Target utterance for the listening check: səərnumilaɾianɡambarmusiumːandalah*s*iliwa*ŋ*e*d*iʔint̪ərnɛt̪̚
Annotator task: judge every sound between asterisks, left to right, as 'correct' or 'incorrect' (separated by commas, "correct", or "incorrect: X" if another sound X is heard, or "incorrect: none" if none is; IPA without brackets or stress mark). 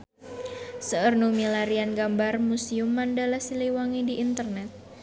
correct, correct, correct